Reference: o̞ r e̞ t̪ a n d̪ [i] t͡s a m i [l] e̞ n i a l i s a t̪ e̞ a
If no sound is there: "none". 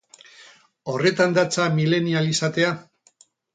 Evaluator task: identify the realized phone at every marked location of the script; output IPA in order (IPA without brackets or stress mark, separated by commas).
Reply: a, l